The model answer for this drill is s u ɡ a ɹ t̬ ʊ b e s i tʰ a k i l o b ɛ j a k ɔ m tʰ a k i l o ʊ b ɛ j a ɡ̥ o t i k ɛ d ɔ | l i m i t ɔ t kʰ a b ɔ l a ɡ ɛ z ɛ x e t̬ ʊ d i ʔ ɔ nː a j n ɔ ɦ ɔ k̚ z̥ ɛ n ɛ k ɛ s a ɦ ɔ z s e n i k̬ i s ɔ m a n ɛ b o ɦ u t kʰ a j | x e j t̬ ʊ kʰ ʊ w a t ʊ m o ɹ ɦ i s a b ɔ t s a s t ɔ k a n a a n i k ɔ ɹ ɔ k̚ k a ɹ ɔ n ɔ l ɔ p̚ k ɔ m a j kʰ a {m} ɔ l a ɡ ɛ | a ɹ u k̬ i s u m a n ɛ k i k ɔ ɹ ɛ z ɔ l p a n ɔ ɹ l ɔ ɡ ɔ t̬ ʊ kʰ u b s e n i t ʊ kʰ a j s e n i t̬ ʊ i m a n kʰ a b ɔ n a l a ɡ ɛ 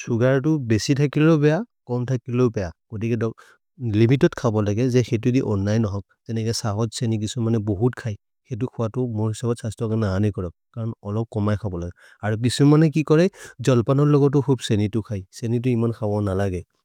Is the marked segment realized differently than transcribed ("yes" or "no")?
yes